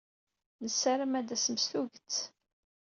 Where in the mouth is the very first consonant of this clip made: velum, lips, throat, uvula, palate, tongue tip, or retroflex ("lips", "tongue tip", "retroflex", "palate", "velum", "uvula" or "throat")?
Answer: tongue tip